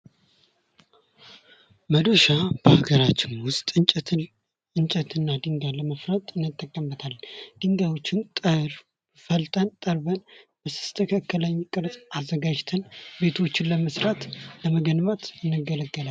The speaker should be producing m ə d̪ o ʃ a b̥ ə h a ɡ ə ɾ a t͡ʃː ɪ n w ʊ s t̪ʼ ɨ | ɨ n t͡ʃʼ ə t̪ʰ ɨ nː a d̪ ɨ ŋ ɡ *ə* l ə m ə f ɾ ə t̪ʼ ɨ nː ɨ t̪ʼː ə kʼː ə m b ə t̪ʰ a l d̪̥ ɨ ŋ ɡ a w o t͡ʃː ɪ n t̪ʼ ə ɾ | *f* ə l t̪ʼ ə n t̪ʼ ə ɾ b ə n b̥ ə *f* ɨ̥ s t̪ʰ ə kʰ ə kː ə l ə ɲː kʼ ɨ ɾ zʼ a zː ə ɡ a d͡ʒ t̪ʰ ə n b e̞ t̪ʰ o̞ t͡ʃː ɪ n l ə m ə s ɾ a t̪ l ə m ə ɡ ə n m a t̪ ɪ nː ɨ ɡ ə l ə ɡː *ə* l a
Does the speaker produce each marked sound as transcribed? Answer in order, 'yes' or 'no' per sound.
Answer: no, yes, no, yes

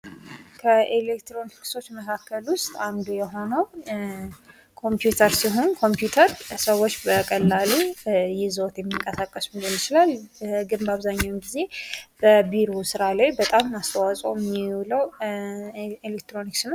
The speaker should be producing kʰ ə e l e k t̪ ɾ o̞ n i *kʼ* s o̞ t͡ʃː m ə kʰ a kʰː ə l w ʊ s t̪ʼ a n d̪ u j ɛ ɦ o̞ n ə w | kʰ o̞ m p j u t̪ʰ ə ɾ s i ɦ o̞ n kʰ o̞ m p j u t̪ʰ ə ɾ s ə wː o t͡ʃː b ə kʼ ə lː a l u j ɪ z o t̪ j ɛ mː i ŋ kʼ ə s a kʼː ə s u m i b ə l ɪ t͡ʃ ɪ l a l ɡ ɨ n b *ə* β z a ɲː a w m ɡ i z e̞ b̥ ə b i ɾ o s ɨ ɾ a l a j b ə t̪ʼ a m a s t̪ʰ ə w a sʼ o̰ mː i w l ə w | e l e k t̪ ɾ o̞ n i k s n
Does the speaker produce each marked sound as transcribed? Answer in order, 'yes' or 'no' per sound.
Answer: no, no

